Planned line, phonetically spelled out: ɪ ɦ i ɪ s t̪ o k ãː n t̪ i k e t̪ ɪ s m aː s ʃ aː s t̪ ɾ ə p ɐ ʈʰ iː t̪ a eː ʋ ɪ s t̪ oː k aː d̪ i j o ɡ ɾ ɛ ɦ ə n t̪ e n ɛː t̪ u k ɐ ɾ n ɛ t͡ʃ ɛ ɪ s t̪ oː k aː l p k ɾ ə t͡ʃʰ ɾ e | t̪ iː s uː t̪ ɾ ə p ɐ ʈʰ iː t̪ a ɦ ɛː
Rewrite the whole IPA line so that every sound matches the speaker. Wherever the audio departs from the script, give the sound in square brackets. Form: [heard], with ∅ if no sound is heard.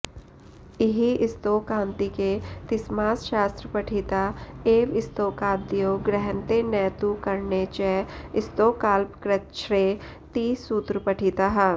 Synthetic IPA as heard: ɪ ɦ i ɪ s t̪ o k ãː n t̪ i k e t̪ ɪ s m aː s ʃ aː s t̪ ɾ ə p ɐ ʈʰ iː t̪ a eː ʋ ɪ s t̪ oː k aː d̪ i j o ɡ ɾ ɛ ɦ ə n t̪ e n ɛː t̪ u k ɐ ɾ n [e] t͡ʃ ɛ ɪ s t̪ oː k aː l p k ɾ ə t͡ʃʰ ɾ e | t̪ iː s uː t̪ ɾ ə p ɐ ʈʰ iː t̪ a ɦ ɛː